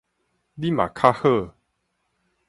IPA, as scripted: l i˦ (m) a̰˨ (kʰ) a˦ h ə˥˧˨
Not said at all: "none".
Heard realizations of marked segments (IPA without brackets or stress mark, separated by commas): m, kʰ